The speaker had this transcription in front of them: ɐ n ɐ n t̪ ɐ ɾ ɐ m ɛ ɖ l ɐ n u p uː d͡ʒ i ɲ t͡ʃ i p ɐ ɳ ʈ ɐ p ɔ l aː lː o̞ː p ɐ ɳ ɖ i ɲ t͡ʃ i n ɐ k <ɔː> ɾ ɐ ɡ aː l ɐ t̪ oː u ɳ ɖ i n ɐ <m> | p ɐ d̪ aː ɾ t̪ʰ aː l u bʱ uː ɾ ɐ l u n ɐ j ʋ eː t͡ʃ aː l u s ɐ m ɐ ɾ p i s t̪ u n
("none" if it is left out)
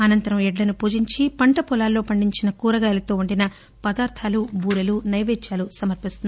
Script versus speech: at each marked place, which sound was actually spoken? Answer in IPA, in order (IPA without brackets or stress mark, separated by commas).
uː, none